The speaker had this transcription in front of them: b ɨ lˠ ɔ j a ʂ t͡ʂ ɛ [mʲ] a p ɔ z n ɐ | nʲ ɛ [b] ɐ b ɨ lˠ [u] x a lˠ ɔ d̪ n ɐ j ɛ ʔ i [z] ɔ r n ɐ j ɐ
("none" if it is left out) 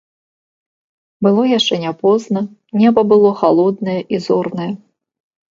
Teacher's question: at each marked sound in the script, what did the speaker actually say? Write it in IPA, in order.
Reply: nʲ, b, ɔ, z

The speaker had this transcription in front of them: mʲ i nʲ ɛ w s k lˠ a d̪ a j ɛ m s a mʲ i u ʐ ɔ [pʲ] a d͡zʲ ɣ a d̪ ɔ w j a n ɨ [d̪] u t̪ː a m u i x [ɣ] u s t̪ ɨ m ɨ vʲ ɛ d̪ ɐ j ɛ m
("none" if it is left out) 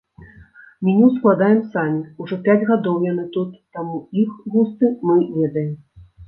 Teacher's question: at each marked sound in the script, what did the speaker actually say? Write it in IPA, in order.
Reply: pʲ, t̪, ɣ

